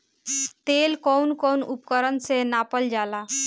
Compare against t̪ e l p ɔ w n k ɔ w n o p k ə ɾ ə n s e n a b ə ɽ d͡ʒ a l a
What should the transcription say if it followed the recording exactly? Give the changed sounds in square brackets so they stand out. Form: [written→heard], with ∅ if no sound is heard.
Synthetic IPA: t̪ e l [p→k] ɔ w n k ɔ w n [o→u] p k ə ɾ ə n s e n a [b→p] ə [ɽ→l] d͡ʒ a l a